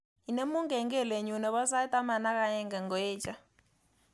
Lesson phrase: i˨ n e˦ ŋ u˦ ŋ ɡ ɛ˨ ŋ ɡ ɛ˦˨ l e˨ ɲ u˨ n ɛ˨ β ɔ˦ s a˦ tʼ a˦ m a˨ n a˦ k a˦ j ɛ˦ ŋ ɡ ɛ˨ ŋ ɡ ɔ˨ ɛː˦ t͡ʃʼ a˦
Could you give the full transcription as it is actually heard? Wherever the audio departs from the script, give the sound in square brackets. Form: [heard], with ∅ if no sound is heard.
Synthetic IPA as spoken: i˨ n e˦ [m] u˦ ŋ ɡ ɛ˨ ŋ ɡ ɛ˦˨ l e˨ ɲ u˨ n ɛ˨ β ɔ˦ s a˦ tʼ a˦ m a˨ n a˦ k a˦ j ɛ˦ ŋ ɡ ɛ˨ ŋ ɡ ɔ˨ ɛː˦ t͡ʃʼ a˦